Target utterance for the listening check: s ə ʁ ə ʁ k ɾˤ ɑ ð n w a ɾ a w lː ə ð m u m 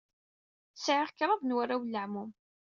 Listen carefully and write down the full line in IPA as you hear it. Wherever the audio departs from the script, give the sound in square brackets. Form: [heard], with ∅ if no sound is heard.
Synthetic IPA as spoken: s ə [ʕ] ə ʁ k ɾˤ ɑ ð n w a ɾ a w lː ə [ʕ] m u m